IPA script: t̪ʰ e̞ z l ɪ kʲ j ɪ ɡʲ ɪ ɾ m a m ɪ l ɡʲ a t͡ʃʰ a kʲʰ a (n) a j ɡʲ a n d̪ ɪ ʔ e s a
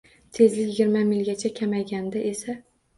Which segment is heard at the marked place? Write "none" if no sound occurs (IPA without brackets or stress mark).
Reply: m